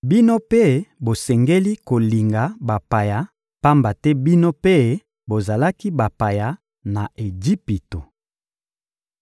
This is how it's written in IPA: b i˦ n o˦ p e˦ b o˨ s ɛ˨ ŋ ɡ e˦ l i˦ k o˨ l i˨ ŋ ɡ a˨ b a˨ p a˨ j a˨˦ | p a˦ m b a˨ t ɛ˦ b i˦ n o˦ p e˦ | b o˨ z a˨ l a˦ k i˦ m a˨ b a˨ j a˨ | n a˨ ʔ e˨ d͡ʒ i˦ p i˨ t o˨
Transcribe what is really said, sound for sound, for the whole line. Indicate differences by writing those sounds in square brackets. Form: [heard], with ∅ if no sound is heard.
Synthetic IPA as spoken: b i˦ n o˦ p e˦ b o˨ s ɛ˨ ŋ ɡ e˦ l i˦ k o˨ l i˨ ŋ ɡ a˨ b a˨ p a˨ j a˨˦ | p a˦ m b a˨ t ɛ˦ b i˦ n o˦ p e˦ | b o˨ z a˨ l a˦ k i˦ [b] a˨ [p] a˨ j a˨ | n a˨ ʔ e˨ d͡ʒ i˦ p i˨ t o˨